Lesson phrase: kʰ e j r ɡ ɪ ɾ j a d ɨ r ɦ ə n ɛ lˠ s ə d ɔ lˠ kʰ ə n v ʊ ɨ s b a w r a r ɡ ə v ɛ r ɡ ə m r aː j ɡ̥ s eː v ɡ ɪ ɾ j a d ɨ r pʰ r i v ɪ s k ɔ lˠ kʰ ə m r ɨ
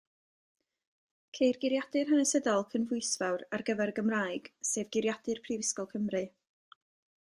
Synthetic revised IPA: kʰ e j r ɡ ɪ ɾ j a d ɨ r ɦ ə n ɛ s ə d ɔ lˠ kʰ ə n v ʊ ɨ s v a w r a r ɡ ə v ɛ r ɡ ə m r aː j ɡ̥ s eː v ɡ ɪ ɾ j a d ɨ r pʰ r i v ɪ s k ɔ lˠ kʰ ə m r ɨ